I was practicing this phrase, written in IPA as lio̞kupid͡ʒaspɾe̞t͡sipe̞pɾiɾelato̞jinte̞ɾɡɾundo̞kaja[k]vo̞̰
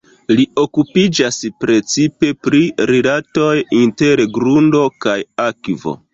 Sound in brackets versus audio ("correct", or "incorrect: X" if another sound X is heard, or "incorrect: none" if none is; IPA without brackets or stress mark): correct